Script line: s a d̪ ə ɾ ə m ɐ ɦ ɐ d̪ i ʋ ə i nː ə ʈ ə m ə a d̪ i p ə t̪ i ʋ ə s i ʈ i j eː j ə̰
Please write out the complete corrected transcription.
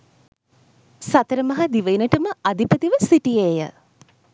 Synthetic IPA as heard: s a t̪ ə ɾ ə m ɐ ɦ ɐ d̪ i ʋ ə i n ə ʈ ə m ə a d̪ i p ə t̪ i ʋ ə s i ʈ i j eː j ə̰